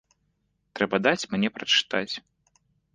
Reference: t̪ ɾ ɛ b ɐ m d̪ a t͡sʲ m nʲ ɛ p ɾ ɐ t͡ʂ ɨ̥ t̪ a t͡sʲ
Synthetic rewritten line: t̪ ɾ ɛ b ɐ d̪ a t͡sʲ m nʲ ɛ p ɾ ɐ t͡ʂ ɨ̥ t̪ a t͡sʲ